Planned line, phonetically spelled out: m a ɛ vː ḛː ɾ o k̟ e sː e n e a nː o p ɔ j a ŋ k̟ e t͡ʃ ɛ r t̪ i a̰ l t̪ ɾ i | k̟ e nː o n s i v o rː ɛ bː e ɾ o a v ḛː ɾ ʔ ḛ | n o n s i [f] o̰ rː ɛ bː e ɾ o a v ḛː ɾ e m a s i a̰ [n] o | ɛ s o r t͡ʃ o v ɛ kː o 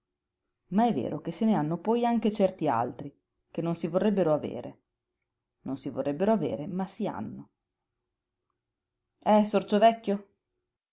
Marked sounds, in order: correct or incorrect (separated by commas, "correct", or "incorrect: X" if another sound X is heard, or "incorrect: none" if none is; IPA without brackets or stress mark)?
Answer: incorrect: v, incorrect: nː